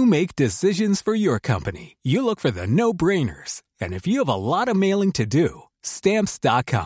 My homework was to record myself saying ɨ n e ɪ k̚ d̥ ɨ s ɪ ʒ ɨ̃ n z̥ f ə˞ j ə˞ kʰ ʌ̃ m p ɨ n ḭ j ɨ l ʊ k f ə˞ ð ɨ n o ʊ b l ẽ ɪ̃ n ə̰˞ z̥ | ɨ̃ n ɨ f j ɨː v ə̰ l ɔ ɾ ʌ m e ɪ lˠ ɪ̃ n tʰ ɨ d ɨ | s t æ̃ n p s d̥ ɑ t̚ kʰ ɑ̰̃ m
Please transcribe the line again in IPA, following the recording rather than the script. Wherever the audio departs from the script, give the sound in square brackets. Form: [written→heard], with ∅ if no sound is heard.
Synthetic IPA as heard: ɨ [n→m] e ɪ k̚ d̥ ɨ s ɪ ʒ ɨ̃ n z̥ f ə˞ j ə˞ kʰ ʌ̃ m p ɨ n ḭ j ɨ l ʊ k f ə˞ ð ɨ n o ʊ b [l→ɹ] ẽ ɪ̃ n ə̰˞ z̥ | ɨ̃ n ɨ f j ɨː v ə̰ l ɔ ɾ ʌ m e ɪ lˠ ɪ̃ [n→ŋ] tʰ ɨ d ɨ | s t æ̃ [n→m] p s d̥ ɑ t̚ kʰ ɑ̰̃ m